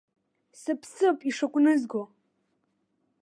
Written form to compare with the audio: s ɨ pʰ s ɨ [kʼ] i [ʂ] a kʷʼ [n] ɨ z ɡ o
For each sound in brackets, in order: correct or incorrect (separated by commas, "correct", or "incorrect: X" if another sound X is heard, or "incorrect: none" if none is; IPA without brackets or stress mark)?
incorrect: pʼ, correct, correct